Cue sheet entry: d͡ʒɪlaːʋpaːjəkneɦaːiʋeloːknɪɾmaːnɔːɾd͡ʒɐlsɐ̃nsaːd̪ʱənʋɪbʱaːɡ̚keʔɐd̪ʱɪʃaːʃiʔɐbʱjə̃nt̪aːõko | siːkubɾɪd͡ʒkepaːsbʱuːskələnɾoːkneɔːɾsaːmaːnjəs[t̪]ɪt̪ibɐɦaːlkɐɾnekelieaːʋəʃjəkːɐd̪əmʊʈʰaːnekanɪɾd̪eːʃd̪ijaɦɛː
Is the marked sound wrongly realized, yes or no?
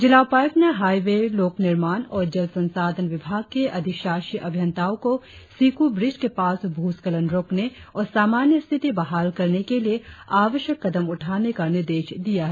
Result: yes